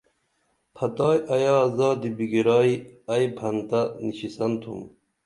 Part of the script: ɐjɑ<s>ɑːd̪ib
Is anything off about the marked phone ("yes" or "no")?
yes